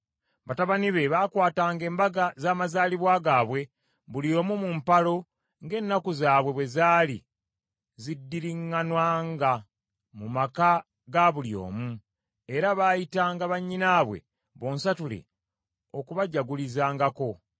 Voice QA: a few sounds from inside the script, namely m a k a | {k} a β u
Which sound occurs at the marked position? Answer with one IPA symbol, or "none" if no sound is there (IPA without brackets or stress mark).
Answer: ɡ